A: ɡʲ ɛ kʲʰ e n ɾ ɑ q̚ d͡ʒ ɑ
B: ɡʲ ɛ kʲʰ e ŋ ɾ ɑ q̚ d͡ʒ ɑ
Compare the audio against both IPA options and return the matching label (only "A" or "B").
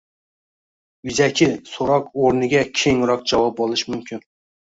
B